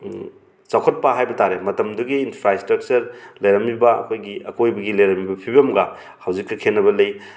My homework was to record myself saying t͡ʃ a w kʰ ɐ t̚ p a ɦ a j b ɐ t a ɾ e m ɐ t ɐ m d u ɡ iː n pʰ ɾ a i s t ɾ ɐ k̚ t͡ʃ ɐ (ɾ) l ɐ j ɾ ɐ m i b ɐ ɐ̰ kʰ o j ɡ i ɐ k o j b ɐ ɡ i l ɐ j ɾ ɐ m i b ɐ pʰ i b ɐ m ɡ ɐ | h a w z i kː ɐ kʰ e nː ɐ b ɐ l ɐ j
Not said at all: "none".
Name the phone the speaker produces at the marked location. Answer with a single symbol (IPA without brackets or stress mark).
ɾ